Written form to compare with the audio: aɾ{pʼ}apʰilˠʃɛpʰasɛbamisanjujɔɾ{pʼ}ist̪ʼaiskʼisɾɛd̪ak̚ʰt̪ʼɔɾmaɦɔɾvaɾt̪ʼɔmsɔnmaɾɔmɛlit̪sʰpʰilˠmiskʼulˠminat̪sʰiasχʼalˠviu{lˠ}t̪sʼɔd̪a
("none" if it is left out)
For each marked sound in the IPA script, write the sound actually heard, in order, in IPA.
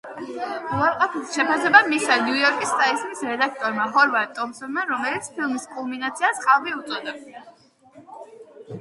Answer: qʼ, kʼ, none

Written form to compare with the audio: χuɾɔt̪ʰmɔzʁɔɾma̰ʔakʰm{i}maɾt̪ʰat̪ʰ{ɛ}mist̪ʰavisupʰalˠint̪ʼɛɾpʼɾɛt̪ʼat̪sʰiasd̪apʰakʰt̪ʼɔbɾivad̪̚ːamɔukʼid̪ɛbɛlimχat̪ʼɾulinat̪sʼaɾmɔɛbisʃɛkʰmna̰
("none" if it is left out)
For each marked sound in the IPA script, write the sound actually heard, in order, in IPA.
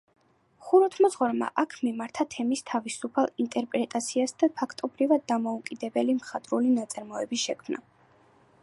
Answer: i, ɛ

